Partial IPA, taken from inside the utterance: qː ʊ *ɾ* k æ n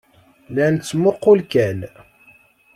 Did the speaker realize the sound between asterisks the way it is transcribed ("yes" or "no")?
no